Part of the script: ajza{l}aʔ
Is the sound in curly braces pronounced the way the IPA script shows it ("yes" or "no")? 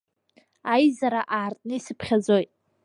no